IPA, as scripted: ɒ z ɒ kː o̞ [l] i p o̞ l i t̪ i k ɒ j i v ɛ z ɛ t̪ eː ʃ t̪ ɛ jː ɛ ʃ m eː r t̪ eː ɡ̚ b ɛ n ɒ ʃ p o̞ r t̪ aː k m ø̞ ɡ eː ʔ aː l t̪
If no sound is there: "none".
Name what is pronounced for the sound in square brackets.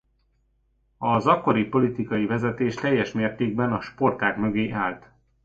ɾ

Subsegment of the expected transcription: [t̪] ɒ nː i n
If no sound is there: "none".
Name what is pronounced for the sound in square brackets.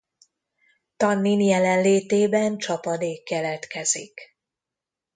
t̪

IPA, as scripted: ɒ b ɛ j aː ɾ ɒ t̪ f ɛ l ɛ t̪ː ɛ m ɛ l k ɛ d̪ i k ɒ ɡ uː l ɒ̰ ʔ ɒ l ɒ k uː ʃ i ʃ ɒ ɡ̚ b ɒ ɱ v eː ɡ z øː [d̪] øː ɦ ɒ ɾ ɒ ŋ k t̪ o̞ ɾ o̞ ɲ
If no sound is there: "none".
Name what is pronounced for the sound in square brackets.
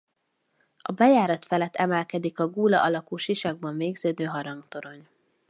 d̪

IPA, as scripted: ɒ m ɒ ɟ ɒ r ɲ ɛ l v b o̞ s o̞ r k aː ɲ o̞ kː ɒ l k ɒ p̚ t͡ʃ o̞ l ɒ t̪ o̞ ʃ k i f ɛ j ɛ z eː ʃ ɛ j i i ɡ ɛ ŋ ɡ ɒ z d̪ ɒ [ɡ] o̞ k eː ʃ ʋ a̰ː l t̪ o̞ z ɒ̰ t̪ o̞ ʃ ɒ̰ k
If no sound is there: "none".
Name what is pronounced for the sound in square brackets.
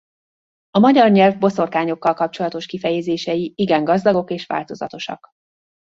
ɡ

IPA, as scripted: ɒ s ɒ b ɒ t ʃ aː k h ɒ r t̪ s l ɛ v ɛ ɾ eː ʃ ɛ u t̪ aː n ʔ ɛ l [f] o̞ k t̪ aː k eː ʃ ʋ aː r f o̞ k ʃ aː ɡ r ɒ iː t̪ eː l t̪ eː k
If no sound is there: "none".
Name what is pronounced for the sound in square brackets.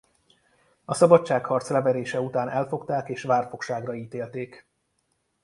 f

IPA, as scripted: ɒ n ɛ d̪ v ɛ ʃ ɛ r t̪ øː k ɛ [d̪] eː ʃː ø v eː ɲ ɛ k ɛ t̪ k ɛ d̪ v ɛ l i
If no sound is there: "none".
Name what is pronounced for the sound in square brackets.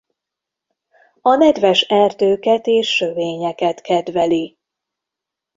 t̪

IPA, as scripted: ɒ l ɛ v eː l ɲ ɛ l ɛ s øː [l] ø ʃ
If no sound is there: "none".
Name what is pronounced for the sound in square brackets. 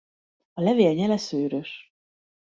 ɾ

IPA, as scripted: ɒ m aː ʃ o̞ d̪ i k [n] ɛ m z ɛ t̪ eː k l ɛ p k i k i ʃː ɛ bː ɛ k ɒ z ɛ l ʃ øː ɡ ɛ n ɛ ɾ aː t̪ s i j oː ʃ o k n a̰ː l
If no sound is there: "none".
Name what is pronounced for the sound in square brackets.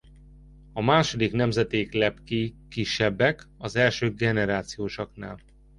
n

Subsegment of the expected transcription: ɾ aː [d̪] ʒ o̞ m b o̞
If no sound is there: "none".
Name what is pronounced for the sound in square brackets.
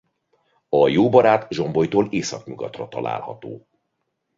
t̪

